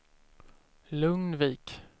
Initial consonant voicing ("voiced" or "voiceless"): voiced